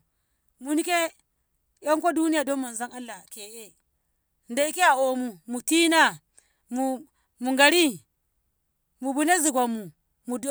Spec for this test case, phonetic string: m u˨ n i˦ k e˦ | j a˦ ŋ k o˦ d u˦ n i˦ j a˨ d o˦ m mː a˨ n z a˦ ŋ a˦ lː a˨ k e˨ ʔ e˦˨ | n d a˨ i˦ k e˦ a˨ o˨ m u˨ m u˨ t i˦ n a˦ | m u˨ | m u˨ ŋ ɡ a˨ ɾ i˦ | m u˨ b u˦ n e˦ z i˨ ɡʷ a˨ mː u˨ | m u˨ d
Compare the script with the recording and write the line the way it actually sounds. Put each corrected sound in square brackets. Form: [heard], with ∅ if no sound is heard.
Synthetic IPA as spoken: m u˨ n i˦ k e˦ | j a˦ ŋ k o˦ d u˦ n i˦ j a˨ d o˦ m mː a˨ n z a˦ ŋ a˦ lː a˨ k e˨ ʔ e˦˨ | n d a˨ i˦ k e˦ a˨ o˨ m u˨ m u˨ t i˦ n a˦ | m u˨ | m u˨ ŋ ɡ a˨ ɾ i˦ | m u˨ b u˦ n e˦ z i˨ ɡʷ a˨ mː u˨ | m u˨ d